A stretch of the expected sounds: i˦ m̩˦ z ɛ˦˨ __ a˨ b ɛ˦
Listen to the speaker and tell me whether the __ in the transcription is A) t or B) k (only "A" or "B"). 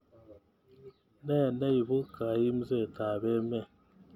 A